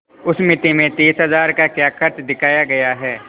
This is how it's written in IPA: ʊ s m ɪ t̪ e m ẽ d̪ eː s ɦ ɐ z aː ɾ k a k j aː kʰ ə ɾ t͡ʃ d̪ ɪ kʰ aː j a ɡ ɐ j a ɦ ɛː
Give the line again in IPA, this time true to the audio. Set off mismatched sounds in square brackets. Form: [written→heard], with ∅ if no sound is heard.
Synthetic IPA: ʊ s m ɪ t̪ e m ẽ [d̪→t̪] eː s ɦ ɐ z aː ɾ k a k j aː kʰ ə ɾ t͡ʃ d̪ ɪ kʰ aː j a ɡ ɐ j a ɦ ɛː